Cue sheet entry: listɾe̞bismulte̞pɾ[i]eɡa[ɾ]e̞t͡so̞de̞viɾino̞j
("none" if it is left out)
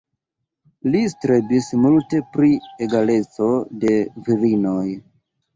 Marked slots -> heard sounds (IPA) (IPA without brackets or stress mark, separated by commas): i, l